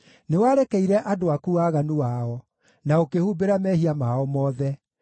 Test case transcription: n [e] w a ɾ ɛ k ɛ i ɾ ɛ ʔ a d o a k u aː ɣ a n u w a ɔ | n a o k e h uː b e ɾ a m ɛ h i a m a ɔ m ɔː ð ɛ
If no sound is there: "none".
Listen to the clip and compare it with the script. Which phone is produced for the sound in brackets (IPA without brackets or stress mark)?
e